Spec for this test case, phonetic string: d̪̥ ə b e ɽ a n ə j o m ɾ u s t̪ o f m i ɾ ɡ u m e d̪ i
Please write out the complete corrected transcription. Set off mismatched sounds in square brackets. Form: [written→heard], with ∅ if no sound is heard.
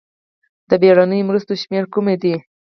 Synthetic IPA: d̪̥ ə b e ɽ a n ə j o m ɾ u s t̪ o [f→ʃ] m [i→e] ɾ [ɡ→k] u m e d̪ i